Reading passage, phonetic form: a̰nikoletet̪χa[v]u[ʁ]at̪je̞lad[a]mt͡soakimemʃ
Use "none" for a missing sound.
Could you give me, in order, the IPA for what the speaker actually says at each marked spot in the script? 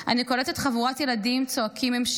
v, ʁ, i

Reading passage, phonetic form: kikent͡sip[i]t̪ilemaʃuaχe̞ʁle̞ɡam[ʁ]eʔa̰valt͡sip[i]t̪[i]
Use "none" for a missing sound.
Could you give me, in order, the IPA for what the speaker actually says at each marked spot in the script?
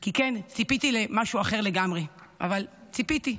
i, ʁ, i, i

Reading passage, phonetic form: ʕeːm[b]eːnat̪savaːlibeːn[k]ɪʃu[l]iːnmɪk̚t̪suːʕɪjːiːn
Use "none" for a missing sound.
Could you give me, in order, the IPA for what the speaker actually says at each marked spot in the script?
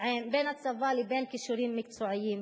b, k, ɾ

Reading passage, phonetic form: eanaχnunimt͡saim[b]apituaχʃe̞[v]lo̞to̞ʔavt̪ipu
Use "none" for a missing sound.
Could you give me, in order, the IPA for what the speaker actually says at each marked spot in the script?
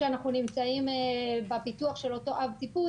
b, none

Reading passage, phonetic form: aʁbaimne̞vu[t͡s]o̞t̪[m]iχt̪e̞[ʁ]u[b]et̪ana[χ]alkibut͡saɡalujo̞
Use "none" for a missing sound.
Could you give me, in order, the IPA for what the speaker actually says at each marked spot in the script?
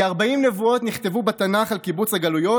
none, n, v, b, χ

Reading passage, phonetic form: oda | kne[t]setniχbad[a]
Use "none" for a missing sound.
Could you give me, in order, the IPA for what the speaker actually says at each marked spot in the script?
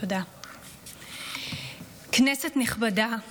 none, a

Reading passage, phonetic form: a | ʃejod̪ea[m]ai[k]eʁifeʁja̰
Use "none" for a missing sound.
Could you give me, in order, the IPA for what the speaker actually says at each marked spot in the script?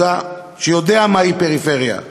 m, p

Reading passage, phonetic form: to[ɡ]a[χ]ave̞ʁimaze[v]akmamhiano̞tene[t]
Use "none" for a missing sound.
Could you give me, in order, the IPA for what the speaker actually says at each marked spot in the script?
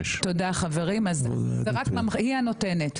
d, χ, ʁ, t

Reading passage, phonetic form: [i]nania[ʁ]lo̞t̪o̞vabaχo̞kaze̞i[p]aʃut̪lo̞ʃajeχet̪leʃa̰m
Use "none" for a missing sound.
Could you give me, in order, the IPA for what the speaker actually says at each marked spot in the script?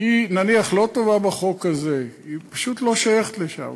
i, χ, p

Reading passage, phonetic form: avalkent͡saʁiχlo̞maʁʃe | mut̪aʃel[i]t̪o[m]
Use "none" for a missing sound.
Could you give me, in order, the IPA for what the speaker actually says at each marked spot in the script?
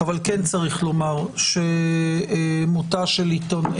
i, n

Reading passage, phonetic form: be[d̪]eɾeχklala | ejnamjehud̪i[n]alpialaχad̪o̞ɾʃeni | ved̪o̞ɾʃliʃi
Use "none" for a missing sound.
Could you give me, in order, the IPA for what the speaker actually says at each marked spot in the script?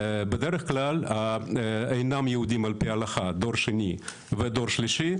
d̪, m

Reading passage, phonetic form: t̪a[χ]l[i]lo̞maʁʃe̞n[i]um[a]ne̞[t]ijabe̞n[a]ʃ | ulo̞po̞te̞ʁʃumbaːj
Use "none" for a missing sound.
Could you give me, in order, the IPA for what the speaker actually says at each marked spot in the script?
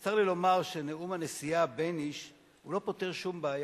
ʁ, i, e, a, s, i

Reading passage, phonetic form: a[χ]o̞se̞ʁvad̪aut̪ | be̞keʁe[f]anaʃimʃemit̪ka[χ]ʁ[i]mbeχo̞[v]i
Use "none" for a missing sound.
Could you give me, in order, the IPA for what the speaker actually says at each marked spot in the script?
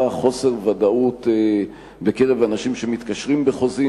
χ, v, ʃ, i, z

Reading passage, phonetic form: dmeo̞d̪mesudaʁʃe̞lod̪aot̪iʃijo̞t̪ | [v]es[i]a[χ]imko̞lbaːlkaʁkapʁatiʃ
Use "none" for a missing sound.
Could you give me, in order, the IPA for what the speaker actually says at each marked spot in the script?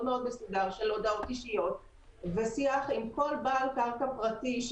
v, i, χ

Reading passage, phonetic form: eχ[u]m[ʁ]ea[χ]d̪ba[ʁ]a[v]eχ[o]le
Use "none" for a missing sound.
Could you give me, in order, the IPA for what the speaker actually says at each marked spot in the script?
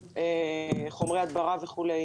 o, ʁ, none, ʁ, v, u

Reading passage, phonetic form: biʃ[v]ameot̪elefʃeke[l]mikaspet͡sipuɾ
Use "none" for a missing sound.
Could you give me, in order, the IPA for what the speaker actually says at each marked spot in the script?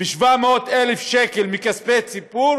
v, l

